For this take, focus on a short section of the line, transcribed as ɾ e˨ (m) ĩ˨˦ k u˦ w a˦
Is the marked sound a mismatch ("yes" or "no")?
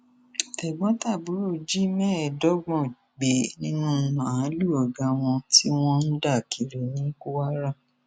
yes